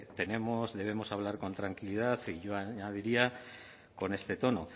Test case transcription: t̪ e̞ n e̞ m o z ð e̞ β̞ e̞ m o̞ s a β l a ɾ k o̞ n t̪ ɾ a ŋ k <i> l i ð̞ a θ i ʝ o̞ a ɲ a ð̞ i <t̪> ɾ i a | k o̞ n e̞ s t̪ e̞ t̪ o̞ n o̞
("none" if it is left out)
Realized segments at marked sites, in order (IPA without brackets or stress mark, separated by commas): i, none